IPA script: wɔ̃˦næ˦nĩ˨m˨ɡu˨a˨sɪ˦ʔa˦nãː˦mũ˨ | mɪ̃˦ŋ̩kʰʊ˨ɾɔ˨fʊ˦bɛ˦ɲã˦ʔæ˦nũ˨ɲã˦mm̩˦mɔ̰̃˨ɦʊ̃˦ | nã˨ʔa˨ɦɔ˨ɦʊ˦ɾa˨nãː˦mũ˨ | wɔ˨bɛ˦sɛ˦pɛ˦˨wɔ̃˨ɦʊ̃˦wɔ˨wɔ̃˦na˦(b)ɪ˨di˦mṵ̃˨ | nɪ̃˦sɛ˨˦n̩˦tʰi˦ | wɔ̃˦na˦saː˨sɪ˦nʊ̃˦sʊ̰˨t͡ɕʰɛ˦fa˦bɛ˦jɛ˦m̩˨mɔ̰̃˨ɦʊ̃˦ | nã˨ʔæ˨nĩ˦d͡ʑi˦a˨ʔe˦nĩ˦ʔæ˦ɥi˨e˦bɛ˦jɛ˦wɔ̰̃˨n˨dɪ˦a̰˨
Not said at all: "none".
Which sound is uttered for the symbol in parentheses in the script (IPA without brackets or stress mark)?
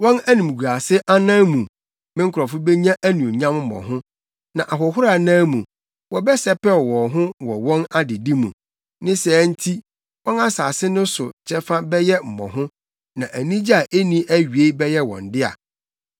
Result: d